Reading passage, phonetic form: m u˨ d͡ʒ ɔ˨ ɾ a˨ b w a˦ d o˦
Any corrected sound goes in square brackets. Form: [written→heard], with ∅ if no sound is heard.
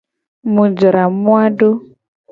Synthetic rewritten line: m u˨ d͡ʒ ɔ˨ ɾ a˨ [b→m] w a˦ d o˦